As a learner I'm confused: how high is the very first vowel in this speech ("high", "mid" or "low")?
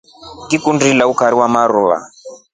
high